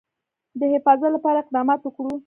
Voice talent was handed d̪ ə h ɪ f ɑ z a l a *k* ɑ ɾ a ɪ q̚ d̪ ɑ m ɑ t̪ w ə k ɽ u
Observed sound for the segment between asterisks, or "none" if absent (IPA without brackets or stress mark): p